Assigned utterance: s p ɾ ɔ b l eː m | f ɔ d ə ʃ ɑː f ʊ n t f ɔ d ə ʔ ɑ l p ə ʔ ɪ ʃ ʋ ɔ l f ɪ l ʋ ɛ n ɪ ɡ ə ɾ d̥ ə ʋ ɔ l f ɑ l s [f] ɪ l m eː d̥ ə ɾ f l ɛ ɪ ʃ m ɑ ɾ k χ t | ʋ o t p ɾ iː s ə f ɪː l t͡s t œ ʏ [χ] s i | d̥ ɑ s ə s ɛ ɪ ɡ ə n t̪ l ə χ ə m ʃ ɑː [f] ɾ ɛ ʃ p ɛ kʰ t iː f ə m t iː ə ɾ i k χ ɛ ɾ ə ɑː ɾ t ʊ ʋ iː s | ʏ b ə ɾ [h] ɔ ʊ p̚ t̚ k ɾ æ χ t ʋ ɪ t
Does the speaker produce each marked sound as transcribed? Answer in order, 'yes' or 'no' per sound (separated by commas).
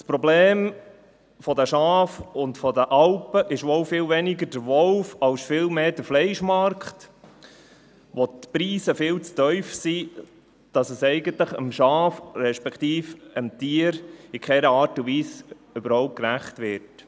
yes, no, yes, yes